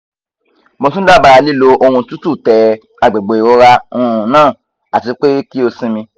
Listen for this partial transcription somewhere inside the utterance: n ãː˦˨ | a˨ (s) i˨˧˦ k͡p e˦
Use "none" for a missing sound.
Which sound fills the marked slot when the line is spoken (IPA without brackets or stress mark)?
t